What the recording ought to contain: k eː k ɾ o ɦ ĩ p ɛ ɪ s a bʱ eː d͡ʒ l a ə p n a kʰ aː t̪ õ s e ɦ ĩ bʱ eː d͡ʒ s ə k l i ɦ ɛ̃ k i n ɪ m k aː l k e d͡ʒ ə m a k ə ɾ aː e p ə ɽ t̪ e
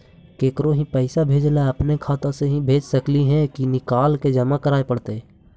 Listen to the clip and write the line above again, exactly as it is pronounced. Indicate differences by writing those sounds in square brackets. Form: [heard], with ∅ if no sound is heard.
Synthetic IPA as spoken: k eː k ɾ o ɦ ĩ p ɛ ɪ s a bʱ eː d͡ʒ l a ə p n [e] kʰ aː t̪ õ s e ɦ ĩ bʱ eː d͡ʒ s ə k l i ɦ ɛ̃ k i n ɪ [∅] k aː l k e d͡ʒ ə m a k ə ɾ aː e p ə ɽ t̪ e